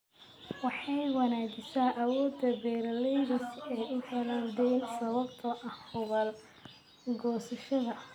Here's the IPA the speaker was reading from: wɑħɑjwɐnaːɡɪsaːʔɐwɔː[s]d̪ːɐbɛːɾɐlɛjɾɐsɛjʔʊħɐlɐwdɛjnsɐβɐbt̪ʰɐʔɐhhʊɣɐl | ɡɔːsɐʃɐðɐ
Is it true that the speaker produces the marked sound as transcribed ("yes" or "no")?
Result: no